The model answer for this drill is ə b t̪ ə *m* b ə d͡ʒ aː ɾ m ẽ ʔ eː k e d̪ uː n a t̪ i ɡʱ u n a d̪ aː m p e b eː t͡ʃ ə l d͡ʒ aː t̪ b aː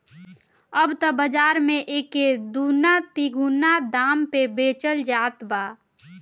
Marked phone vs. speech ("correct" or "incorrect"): incorrect